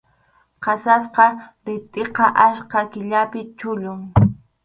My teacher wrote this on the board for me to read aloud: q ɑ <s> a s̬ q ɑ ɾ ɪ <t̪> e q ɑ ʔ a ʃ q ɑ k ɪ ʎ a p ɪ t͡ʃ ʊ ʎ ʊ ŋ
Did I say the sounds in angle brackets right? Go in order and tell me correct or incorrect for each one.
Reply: correct, incorrect

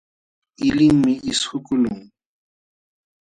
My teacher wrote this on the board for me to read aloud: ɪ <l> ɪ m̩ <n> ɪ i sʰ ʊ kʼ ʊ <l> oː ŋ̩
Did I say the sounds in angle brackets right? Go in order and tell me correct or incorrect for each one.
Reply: correct, incorrect, correct

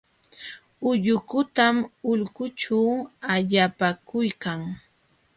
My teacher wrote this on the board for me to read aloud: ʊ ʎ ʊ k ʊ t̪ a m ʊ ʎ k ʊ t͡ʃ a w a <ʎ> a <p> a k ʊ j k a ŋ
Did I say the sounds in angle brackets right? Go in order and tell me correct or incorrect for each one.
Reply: correct, correct

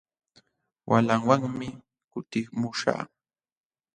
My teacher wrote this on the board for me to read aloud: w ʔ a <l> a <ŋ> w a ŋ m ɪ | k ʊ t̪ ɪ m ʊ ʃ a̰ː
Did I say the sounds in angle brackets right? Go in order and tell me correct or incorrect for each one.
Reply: correct, correct

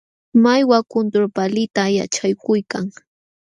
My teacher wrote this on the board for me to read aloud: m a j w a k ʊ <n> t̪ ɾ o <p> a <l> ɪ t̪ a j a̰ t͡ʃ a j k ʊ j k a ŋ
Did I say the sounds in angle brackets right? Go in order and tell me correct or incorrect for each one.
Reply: correct, correct, correct

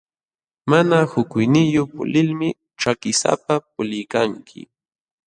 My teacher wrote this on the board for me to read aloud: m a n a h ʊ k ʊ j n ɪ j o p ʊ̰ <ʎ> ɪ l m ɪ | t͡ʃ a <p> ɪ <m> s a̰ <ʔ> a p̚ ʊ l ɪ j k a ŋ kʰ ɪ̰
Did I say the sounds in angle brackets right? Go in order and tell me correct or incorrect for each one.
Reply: incorrect, incorrect, incorrect, incorrect

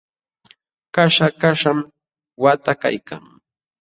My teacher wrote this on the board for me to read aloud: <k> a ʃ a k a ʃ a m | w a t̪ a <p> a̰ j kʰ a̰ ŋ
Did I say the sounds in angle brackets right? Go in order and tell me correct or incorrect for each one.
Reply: correct, incorrect

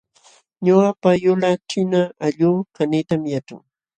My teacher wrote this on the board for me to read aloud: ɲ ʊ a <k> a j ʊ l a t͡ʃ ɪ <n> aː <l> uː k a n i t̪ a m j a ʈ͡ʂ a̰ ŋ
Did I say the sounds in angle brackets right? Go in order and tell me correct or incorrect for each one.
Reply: incorrect, correct, incorrect

